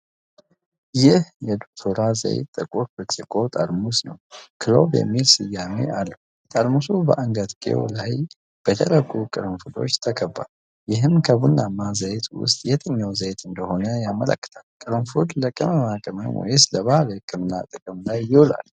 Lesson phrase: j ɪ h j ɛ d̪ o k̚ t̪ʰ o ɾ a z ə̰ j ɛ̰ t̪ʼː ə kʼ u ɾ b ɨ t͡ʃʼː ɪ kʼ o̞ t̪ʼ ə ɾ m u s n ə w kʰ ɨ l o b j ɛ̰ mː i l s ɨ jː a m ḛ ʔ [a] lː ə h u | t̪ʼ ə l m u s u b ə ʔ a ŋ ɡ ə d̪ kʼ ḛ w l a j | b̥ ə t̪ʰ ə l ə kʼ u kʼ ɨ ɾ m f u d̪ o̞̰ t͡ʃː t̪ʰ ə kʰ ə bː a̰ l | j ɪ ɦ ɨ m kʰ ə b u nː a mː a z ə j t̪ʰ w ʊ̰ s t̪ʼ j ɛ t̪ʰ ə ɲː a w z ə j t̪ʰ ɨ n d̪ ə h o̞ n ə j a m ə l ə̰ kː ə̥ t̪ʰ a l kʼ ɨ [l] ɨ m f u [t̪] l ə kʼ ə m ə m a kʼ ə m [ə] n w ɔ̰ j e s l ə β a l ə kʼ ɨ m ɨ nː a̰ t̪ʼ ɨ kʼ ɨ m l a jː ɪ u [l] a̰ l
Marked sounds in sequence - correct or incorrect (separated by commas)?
correct, incorrect, incorrect, correct, correct